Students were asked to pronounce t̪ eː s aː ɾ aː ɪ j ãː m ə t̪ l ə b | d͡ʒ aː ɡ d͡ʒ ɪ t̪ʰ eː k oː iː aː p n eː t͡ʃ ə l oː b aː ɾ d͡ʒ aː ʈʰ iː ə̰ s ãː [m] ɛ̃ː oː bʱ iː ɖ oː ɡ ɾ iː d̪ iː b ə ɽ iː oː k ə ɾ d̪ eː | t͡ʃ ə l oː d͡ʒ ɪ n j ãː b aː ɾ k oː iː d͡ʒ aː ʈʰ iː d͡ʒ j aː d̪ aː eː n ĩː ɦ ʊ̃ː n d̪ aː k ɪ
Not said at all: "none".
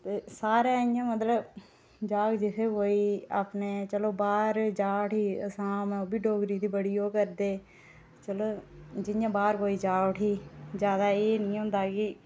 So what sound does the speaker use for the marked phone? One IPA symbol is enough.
m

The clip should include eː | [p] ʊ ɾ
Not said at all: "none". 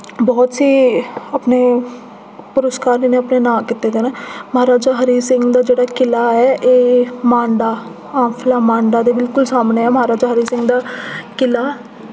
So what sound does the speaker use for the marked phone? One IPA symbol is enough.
p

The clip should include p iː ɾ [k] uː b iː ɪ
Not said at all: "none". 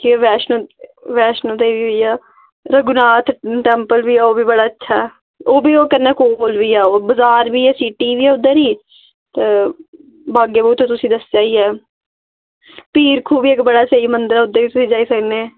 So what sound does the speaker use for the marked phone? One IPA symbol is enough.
kʰ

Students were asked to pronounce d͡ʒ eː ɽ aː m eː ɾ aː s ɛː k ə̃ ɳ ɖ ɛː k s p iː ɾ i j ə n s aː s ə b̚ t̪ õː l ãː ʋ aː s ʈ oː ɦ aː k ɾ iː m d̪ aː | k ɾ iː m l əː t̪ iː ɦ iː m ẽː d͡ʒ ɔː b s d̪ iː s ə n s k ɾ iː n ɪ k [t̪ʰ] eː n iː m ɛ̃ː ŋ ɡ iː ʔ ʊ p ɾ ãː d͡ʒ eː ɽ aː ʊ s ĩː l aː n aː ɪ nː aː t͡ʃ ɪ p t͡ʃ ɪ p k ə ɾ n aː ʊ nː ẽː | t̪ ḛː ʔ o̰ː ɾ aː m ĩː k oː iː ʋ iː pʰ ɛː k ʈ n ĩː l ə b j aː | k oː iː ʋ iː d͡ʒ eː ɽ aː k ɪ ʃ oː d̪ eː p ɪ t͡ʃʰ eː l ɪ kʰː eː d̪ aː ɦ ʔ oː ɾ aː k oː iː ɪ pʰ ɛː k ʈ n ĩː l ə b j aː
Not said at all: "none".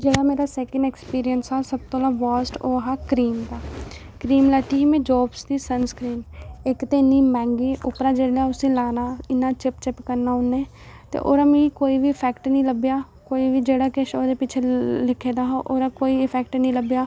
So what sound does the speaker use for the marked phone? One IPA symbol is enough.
t̪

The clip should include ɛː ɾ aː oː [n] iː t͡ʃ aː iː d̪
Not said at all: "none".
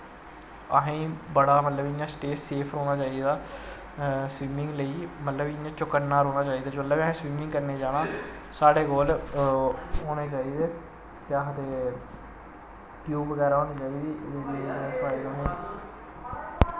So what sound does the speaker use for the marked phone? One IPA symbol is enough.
n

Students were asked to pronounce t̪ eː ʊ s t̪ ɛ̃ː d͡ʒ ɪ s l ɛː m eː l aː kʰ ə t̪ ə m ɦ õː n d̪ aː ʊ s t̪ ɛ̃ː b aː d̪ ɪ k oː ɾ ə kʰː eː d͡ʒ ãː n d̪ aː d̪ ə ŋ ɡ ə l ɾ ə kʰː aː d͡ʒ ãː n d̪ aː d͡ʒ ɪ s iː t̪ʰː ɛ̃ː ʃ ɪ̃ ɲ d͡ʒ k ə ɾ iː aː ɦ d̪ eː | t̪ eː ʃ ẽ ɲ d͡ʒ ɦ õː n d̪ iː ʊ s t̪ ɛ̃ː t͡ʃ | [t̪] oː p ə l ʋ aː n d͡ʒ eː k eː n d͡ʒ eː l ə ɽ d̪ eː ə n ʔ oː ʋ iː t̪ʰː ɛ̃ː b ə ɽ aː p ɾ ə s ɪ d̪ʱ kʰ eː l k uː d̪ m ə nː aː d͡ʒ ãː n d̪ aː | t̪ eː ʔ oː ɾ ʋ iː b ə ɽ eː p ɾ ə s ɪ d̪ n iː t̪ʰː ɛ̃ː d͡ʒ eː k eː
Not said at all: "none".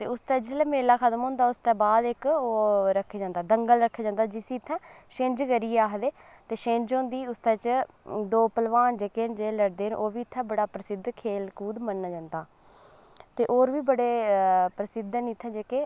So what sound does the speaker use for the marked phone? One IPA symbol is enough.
d̪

